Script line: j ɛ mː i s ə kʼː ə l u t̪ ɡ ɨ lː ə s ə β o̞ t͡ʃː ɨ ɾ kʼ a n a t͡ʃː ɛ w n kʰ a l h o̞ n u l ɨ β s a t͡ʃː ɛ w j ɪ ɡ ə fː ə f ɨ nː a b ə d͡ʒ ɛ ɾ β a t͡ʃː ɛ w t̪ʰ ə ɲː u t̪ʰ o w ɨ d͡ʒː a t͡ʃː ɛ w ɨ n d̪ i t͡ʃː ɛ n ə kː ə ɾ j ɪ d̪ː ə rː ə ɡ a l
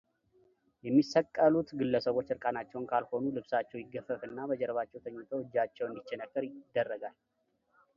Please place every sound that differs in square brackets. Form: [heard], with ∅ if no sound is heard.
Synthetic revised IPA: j ɛ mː i s ə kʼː ə l u t̪ ɡ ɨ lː ə s ə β o̞ t͡ʃː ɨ ɾ kʼ a n a t͡ʃː ɛ w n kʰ a l h o̞ n u l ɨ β s a t͡ʃː ɛ w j ɪ ɡ ə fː ə f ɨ nː a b ə d͡ʒ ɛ ɾ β a t͡ʃː ɛ w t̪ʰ ə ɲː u t̪ʰ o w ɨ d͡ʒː a t͡ʃː ɛ w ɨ n d̪ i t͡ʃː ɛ n ə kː ə ɾ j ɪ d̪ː ə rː ə ɡ a l